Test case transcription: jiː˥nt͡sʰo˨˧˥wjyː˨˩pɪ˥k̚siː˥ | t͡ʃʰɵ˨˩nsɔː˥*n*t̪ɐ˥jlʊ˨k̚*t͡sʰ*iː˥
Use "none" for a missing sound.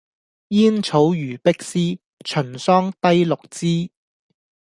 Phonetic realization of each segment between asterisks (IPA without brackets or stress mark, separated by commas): ŋ, t͡s